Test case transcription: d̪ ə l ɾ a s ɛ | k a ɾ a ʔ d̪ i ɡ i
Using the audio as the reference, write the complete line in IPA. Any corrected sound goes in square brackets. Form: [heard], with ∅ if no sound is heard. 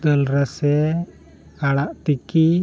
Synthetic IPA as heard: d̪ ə l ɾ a s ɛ | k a [ɽ] a ʔ [t̪] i [k] i